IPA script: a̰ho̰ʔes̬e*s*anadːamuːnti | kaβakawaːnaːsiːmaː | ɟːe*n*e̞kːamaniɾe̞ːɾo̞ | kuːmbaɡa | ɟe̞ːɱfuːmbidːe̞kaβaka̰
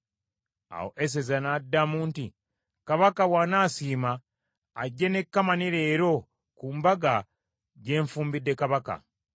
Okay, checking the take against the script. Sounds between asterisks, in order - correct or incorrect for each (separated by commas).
incorrect, correct